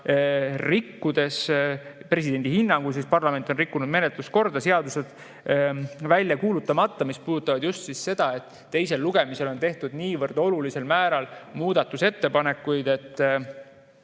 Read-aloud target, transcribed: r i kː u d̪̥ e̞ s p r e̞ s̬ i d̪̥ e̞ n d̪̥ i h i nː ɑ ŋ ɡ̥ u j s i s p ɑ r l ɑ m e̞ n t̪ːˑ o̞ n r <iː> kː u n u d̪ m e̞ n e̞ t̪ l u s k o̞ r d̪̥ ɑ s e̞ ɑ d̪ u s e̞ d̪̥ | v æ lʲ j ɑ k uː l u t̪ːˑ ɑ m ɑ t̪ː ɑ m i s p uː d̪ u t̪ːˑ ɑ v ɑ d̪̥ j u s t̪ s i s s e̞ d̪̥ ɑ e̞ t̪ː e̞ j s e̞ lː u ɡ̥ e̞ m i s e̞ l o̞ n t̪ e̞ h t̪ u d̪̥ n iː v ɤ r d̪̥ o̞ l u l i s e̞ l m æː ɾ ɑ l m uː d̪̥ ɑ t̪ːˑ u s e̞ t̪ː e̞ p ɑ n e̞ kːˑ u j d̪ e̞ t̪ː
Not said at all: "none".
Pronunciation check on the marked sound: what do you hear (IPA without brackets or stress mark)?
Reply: i